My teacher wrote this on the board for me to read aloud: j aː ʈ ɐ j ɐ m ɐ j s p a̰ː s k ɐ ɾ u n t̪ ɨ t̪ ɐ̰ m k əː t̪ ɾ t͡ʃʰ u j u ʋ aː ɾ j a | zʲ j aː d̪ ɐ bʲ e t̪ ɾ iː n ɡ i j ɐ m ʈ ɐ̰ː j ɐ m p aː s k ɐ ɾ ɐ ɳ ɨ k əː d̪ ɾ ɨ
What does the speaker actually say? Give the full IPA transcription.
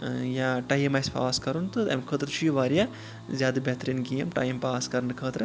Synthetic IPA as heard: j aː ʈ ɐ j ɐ m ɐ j s p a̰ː s k ɐ ɾ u n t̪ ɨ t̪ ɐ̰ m kʰ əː t̪ ɾ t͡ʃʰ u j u ʋ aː ɾ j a | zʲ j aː d̪ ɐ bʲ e t̪ ɾ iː n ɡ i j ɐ m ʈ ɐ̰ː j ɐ m p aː s k ɐ ɾ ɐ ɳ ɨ kʰ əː t̪ ɾ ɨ